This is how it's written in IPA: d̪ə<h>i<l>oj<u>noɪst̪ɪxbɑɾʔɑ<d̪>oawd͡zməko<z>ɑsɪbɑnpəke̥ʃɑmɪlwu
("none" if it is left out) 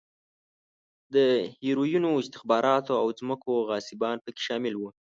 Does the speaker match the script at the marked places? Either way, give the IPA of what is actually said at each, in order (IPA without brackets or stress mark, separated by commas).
h, ɾ, u, t̪, ɣ